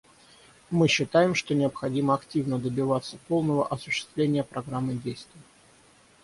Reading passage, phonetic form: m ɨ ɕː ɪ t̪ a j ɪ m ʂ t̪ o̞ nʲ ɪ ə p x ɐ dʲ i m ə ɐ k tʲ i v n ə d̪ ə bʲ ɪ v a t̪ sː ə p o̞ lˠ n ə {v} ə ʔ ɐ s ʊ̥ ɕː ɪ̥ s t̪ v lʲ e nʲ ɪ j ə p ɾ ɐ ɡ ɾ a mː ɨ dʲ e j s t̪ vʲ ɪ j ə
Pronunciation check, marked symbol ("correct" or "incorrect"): correct